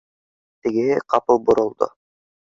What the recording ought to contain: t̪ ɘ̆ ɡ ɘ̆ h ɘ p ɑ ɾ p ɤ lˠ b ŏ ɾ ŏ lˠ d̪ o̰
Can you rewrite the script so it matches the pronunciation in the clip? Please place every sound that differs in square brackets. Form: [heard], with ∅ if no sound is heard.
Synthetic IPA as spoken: t̪ ɘ̆ ɡ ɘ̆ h ɘ [q] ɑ [∅] p ɤ lˠ b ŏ ɾ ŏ lˠ d̪ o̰